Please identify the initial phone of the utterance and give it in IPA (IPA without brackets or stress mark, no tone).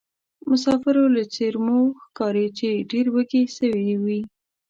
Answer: m